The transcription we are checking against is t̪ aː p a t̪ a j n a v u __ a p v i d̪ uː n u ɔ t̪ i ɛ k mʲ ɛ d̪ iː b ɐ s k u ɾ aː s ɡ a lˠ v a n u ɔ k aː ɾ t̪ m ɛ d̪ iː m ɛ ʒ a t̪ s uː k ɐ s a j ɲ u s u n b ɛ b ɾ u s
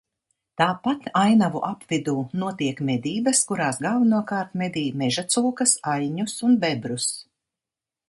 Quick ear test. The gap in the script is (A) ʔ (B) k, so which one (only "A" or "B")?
A